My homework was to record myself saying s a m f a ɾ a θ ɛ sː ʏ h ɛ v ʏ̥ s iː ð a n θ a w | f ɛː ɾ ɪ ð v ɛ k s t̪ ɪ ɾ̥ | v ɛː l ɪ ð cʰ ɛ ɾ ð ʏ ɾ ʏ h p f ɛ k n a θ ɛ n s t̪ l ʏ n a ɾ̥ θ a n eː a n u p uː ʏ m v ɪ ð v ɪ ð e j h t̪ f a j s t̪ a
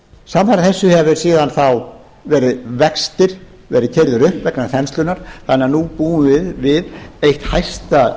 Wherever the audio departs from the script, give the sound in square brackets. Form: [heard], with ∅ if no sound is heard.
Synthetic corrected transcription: s a m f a ɾ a θ ɛ sː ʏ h ɛ v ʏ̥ s iː ð a n θ a w | [v] ɛː ɾ ɪ ð v ɛ k s t̪ ɪ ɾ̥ | v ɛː [ɾ] ɪ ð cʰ ɛ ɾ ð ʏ ɾ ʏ h p [v] ɛ k n a θ ɛ n s t̪ l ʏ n a ɾ̥ θ a n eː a n u p uː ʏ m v ɪ ð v ɪ ð e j h t̪ [h] a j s t̪ a